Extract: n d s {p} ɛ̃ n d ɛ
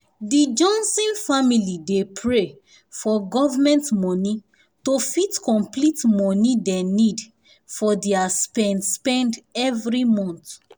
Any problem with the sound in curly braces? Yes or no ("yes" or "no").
no